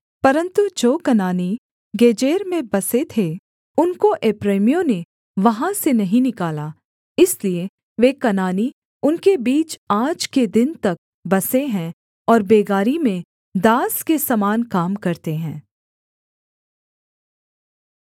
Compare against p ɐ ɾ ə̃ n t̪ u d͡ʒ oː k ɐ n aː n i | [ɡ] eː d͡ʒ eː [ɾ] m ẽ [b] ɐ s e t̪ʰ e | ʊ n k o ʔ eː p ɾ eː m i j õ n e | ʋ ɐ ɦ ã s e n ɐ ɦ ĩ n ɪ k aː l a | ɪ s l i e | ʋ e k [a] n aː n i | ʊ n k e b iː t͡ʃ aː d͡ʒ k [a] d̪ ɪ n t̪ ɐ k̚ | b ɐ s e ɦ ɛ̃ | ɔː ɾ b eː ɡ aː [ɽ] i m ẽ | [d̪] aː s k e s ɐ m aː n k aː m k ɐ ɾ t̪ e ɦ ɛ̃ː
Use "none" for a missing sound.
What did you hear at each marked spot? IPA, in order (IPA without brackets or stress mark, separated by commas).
ɡ, ɾ, b, ɐ, e, ɾ, d̪